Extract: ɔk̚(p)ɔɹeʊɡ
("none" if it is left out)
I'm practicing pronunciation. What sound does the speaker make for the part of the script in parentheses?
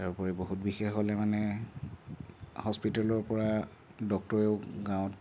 t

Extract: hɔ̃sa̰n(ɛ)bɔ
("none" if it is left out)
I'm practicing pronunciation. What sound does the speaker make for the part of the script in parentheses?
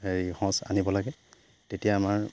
i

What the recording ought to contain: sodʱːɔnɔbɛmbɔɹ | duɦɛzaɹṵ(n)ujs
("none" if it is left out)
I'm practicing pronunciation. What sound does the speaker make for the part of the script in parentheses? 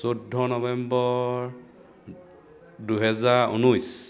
n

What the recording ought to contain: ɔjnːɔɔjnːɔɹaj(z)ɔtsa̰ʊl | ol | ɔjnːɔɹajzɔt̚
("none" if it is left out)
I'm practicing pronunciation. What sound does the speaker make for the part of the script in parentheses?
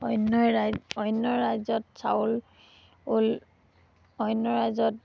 z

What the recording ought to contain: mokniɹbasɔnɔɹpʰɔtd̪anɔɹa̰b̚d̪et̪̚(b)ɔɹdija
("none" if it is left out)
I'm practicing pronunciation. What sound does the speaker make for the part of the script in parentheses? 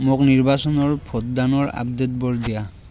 b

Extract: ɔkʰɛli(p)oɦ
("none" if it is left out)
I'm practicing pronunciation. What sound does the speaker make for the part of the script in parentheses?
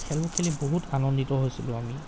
b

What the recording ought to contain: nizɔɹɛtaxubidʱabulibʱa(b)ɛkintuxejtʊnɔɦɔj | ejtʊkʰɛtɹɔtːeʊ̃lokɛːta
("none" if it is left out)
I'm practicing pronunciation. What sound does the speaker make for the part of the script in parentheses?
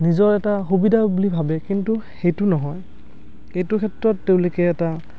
b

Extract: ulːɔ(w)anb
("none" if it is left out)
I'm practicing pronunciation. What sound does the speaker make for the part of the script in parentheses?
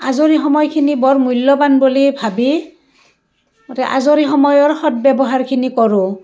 b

